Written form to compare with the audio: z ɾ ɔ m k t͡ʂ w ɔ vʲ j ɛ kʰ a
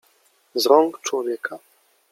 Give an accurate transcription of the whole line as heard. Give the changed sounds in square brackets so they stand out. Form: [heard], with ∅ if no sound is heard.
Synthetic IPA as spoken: z ɾ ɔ [ŋ] k t͡ʂ w ɔ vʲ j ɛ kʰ a